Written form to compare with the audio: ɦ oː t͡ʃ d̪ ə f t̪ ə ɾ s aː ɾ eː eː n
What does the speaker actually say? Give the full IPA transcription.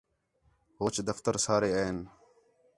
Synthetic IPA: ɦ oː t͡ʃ d̪ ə f t̪ ə ɾ s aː ɾ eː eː n